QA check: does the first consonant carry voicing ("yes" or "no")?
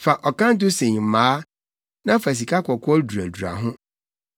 no